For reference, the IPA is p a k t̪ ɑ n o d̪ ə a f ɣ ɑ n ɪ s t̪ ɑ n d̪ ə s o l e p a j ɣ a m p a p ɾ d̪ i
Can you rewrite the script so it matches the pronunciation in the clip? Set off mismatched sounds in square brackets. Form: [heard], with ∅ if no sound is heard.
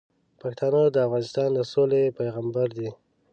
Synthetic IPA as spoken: p a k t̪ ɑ n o d̪ ə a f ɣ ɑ n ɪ s t̪ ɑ n d̪ ə s o l e p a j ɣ a m [b] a [∅] ɾ d̪ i